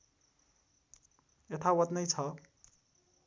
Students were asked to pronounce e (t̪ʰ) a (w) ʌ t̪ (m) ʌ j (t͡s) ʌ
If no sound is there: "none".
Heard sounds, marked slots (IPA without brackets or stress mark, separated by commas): t̪ʰ, w, n, t͡sʰ